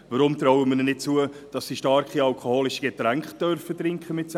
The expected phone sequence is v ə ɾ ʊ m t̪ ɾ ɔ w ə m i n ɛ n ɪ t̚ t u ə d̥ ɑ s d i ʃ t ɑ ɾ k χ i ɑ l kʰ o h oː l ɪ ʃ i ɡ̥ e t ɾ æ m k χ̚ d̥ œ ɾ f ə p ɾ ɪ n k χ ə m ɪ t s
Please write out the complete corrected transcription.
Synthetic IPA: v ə ɾ ʊ m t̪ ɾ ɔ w ə m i n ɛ n ɪ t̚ t͡s u ə d̥ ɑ s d i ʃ t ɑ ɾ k χ i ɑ l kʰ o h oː l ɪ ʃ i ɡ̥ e t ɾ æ ŋ k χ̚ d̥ œ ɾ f ə t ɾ ɪ ŋ k χ ə m ɪ t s